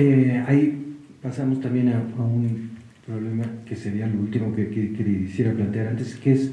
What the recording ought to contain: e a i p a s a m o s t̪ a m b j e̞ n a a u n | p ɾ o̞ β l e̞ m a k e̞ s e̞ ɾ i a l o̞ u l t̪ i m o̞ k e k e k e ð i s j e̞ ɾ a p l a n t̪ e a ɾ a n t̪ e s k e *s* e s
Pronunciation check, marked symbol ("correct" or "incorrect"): incorrect